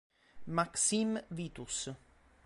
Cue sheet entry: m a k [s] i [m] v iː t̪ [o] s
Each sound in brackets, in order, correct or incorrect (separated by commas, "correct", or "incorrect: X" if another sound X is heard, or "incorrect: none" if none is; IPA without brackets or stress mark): correct, correct, incorrect: u